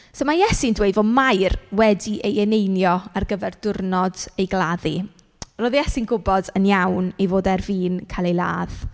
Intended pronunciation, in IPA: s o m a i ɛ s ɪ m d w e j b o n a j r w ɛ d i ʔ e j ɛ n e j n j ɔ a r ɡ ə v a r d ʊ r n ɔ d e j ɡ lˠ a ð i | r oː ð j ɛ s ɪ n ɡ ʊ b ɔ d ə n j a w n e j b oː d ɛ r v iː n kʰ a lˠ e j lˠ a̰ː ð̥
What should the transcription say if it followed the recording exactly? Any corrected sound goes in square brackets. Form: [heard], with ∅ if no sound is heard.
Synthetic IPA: s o m a [j] ɛ s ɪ [n] d w e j [v] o [m] a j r w ɛ d i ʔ e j ɛ n e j n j ɔ a r ɡ ə v [ɛ] r d ʊ r n ɔ d e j ɡ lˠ a ð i | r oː ð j ɛ s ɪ n ɡ ʊ b ɔ d ə n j a w n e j [v] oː d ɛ r v iː n kʰ a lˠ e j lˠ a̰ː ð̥